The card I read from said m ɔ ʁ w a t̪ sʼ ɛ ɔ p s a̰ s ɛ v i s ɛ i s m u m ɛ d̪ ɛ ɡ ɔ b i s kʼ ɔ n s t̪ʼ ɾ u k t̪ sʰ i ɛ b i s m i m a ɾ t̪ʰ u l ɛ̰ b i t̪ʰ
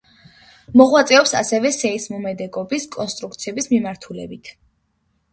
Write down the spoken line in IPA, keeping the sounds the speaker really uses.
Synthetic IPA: m ɔ ʁ w a t̪ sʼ ɛ ɔ p s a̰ s ɛ v ɛ s ɛ i s m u m ɛ d̪ ɛ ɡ ɔ b i s kʼ ɔ n s t̪ʼ ɾ u k t̪ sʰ i ɛ b i s m i m a ɾ t̪ʰ u l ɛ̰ b i t̪ʰ